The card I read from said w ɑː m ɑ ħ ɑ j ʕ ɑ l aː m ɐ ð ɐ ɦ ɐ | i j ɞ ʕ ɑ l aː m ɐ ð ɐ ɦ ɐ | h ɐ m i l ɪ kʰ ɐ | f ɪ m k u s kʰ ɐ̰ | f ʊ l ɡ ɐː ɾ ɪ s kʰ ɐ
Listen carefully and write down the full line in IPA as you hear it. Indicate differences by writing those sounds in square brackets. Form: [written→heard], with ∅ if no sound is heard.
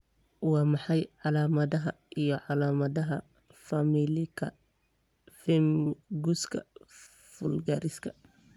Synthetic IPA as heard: w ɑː m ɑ ħ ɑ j ʕ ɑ l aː m ɐ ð ɐ ɦ ɐ | i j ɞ ʕ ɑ l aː m ɐ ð ɐ ɦ ɐ | [h→f] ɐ m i l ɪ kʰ ɐ | f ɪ m [k→ɡ] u s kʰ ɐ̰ | f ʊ l ɡ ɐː ɾ ɪ s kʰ ɐ

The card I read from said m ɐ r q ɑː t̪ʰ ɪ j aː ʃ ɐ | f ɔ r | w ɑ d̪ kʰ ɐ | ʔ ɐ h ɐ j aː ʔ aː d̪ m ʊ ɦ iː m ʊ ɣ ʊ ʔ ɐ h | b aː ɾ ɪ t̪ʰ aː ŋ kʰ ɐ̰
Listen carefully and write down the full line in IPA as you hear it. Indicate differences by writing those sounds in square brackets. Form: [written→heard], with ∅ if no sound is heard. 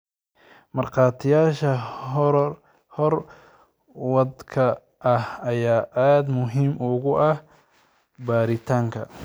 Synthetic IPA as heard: m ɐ r q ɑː t̪ʰ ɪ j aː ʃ ɐ | [f→h] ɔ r | w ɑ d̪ kʰ ɐ | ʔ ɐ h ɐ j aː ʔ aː d̪ m ʊ ɦ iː m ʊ ɣ ʊ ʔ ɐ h | b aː ɾ ɪ t̪ʰ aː ŋ kʰ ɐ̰

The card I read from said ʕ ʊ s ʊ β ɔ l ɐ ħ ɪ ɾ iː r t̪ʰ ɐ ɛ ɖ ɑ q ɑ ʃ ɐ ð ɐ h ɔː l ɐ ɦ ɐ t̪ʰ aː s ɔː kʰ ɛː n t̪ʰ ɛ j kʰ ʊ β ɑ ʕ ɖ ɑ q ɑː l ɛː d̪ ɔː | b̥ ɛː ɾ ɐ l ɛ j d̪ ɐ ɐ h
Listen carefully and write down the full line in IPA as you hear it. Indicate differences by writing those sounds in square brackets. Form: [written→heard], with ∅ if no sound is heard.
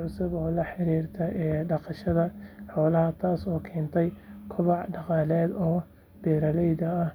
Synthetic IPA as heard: ʕ ʊ s ʊ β [ɔ→ɔː] l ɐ ħ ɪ ɾ iː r t̪ʰ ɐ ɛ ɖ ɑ q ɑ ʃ ɐ ð ɐ [h→ħ] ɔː l ɐ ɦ ɐ t̪ʰ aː s ɔː kʰ ɛː n t̪ʰ ɛ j kʰ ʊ β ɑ ʕ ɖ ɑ q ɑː l ɛː d̪ ɔː | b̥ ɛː ɾ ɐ l ɛ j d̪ ɐ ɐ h

